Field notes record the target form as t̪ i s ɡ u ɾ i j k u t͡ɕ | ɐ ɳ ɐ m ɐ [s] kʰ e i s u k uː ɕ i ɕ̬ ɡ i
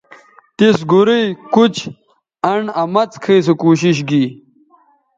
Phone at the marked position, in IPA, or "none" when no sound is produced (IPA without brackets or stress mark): t͡s